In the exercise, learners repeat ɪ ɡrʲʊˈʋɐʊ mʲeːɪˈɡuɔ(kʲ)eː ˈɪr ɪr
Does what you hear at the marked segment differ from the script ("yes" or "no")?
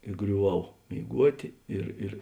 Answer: yes